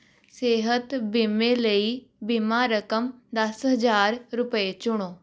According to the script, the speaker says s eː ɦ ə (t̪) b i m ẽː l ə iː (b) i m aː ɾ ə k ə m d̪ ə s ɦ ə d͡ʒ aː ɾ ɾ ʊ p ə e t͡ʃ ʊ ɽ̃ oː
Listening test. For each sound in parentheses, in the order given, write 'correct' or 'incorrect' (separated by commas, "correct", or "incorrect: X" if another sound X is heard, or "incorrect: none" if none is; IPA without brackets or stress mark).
correct, correct